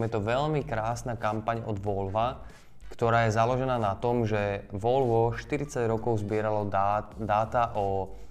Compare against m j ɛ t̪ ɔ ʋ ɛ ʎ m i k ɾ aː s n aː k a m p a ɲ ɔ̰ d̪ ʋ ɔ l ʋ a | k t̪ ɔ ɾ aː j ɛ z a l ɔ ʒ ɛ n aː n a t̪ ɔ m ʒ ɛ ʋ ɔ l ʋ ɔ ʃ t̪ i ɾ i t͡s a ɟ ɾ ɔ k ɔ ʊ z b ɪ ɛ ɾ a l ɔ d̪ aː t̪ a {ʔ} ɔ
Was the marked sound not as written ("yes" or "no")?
no